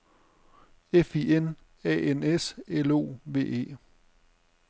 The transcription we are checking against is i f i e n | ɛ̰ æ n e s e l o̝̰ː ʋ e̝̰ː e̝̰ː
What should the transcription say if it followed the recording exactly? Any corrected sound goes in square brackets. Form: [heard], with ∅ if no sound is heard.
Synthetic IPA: [e] f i e n | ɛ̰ [e] n e s e l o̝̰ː ʋ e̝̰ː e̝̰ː